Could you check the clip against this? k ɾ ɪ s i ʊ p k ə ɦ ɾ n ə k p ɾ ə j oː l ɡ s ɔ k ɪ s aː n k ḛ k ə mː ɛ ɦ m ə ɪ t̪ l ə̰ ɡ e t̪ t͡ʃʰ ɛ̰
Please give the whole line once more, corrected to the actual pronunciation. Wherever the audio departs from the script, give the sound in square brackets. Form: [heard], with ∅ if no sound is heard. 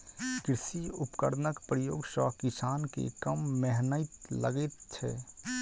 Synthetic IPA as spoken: k ɾ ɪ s i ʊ p k ə [∅] ɾ n ə k p ɾ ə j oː [∅] ɡ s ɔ k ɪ s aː n k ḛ k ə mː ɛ ɦ [n] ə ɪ t̪ l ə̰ ɡ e t̪ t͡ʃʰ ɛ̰